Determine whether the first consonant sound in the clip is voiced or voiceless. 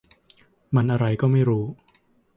voiced